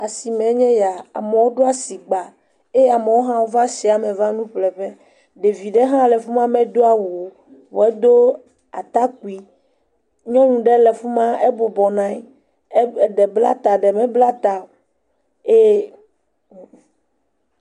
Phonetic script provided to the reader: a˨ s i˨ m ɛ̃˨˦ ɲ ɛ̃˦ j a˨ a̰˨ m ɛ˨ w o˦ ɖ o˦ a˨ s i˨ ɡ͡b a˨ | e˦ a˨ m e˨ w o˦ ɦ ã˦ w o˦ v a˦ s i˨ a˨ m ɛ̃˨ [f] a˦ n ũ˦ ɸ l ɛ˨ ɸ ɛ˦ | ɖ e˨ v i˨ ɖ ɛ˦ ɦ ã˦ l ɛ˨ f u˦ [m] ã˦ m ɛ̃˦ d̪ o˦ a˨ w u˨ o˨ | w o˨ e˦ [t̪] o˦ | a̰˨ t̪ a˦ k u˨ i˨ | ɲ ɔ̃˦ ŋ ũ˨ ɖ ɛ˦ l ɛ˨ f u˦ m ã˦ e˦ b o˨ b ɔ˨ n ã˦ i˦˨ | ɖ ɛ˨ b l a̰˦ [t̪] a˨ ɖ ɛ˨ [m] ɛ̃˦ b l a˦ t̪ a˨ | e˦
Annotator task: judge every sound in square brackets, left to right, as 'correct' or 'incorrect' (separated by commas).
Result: incorrect, correct, incorrect, correct, correct